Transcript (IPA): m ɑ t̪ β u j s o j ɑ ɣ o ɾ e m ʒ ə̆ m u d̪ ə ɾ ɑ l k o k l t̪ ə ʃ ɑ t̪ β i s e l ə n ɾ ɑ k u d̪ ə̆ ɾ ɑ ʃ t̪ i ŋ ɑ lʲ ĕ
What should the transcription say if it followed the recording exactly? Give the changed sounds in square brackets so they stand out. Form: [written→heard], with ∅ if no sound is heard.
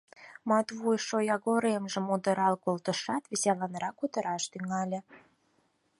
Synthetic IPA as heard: m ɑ t̪ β u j [s→ʃ] o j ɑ ɣ o ɾ e m ʒ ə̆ m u d̪ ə ɾ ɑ l k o [k→∅] l t̪ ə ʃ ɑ t̪ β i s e l [ə→ɑ] n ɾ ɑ k u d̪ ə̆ ɾ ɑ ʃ t̪ [i→y] ŋ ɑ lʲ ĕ